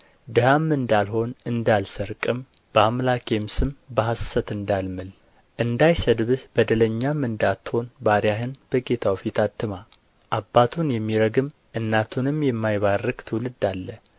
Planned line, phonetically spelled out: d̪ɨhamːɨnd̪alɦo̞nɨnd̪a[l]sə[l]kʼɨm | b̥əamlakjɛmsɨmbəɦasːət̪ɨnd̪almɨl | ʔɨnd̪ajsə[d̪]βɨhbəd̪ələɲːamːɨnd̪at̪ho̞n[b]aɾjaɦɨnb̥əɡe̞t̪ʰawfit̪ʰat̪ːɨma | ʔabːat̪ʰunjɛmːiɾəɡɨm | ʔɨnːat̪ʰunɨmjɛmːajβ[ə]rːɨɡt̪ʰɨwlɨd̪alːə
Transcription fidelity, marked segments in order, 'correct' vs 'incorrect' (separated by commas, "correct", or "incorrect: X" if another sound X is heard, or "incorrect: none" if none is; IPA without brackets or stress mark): correct, incorrect: ɾ, correct, correct, incorrect: a